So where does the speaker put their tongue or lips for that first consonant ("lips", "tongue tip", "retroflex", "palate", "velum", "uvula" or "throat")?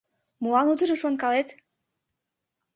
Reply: lips